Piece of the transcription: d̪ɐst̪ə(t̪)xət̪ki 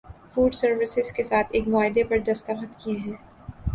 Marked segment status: incorrect: none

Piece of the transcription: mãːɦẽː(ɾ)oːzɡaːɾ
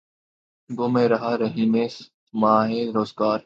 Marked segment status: correct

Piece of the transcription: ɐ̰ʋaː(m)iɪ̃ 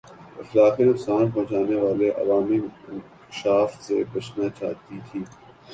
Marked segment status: correct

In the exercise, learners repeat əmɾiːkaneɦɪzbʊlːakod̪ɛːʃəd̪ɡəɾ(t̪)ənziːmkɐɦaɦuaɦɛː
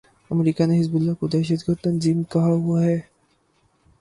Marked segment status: correct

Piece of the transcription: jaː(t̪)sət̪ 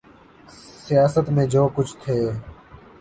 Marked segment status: incorrect: none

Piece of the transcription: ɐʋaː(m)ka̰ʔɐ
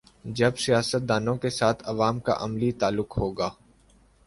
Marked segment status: correct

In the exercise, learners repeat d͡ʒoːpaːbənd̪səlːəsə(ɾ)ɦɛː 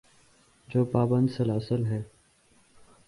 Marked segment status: incorrect: l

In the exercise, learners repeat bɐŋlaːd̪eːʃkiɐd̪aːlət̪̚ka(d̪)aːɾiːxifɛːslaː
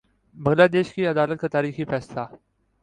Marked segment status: incorrect: t̪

